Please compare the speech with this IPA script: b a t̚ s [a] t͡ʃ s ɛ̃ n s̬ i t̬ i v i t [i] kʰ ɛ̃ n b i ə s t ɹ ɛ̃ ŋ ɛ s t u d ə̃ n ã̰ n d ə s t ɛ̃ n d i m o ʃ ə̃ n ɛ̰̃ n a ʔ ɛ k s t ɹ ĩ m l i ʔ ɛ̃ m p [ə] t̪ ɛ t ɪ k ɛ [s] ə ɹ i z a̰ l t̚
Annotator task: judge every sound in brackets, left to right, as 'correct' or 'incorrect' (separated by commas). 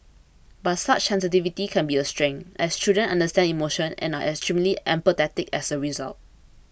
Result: correct, correct, correct, correct